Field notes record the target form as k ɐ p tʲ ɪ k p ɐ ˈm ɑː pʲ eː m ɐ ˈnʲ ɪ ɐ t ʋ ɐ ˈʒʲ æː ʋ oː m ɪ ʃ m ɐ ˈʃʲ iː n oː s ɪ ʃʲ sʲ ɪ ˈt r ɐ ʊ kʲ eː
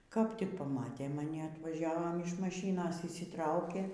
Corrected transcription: k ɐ p tʲ ɪ k p ɐ ˈm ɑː tʲ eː m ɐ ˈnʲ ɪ ɐ t ʋ ɐ ˈʒʲ æː ʋ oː m ɪ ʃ m ɐ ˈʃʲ iː n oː s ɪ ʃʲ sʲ ɪ ˈt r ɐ ʊ kʲ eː